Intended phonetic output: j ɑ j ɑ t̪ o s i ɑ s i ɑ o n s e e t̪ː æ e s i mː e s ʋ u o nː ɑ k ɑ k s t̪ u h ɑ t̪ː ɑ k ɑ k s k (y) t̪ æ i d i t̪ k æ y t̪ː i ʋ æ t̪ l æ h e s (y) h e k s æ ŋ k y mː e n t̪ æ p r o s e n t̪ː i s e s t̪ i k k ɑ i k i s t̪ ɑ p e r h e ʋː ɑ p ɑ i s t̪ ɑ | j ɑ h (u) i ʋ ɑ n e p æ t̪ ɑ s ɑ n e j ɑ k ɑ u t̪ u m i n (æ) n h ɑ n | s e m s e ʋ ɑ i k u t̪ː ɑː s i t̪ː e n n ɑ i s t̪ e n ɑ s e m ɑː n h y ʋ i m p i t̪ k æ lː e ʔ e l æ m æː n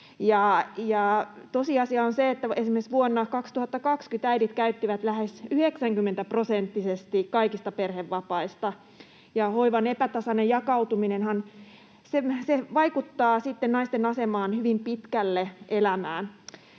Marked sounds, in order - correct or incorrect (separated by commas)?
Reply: correct, correct, incorrect, incorrect